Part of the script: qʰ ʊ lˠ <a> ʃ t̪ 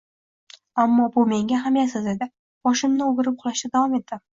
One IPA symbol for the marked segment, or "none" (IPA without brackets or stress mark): a